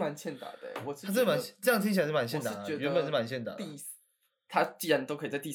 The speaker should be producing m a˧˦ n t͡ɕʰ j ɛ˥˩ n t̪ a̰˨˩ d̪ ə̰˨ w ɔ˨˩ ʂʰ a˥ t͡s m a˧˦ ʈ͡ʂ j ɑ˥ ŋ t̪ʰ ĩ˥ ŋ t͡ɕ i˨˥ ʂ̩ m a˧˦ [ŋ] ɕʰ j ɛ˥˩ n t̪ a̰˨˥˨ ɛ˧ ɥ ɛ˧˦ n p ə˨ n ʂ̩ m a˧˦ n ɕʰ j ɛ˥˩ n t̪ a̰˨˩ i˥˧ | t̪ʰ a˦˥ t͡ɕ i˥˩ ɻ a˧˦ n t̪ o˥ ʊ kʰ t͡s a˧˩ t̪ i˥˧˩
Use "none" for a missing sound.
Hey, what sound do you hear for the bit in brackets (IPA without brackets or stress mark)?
n